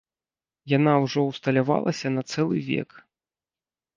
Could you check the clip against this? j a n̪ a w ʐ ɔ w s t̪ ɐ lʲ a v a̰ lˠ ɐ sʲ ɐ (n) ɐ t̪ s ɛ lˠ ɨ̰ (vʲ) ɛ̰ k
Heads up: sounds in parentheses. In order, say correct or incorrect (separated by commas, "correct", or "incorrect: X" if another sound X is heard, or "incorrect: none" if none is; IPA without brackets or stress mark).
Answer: correct, correct